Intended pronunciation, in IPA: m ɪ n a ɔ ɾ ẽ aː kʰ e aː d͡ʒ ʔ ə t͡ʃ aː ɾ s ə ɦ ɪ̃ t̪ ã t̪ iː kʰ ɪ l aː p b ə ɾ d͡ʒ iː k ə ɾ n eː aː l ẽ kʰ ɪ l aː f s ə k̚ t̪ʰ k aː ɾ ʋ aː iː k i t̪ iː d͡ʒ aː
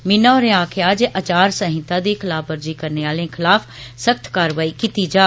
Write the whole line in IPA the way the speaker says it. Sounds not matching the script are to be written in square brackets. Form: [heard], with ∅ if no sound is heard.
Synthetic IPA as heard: m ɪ n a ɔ ɾ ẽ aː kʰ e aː d͡ʒ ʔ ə t͡ʃ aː ɾ s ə ɦ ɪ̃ t̪ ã [d̪] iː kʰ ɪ l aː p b ə ɾ d͡ʒ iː k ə ɾ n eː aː l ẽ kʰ ɪ l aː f s ə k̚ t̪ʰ k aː ɾ ʋ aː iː k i t̪ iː d͡ʒ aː